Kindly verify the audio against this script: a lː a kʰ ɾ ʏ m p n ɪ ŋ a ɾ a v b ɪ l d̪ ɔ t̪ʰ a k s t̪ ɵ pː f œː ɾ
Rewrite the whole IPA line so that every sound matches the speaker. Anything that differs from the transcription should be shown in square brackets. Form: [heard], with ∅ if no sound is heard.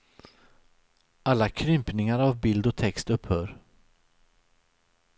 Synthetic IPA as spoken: a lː a kʰ ɾ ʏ m p n ɪ ŋ a ɾ a v b ɪ l d̪ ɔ t̪ʰ [ɛ] k s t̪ ɵ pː [h] œː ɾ